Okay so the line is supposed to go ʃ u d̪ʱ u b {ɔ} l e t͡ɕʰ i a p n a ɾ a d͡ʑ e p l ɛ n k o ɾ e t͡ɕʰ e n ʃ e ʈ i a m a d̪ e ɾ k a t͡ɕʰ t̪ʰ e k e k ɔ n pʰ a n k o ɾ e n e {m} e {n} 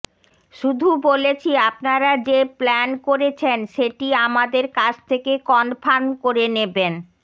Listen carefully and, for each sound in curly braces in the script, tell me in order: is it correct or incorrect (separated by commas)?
incorrect, incorrect, correct